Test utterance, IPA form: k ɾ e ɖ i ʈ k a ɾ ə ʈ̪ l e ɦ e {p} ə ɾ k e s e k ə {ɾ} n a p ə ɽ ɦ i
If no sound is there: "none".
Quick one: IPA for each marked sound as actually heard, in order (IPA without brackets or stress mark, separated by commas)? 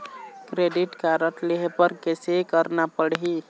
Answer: p, ɾ